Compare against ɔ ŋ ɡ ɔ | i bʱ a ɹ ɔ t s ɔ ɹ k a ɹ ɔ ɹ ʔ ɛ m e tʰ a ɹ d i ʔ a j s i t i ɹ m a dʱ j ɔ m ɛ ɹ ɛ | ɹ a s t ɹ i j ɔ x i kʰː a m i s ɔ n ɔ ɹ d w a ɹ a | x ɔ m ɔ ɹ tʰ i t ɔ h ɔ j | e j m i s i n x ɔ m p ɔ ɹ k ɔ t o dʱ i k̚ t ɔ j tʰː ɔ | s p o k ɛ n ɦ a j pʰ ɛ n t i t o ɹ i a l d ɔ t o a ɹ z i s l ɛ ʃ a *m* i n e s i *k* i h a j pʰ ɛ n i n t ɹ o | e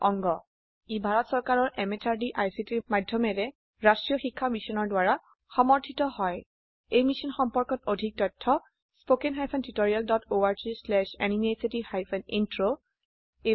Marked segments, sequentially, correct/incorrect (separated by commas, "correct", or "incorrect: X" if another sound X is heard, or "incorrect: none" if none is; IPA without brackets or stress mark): incorrect: n, incorrect: t